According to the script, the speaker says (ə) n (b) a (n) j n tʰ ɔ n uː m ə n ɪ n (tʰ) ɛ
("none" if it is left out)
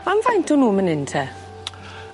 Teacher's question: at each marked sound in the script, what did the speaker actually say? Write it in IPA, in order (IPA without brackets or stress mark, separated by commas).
a, v, none, tʰ